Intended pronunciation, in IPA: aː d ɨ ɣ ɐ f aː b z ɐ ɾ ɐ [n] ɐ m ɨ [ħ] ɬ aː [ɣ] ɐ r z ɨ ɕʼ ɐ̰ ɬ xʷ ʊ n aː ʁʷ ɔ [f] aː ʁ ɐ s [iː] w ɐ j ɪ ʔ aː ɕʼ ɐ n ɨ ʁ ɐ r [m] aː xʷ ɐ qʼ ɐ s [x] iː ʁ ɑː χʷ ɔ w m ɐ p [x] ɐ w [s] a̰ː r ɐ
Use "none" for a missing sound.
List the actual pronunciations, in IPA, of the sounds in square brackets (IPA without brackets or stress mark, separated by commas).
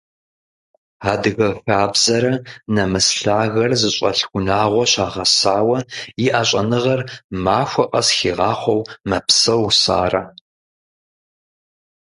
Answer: n, s, ɣ, ɕ, aː, m, x, s, s